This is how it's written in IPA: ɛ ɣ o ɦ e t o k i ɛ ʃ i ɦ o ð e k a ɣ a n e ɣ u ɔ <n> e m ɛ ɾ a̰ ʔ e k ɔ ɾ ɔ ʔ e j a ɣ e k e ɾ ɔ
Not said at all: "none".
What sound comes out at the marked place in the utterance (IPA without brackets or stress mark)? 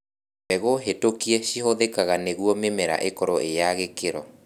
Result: m